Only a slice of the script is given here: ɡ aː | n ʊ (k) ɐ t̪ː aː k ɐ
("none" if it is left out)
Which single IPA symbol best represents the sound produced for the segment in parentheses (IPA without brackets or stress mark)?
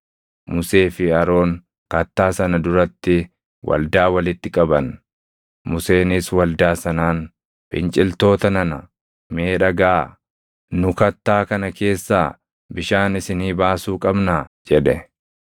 k